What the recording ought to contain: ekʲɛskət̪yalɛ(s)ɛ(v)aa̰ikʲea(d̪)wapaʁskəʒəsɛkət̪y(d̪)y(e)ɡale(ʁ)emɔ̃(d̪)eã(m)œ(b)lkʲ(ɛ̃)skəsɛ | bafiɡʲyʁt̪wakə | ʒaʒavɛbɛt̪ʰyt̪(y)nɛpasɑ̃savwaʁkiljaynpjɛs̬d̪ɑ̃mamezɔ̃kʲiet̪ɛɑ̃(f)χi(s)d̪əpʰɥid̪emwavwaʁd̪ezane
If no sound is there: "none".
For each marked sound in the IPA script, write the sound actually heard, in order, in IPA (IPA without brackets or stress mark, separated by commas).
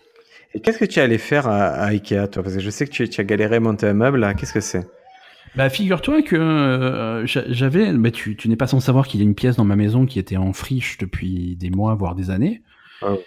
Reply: f, ʁ, t̪, t̪, a, ʁ, t̪, m, b, ɛ, y, f, ʃ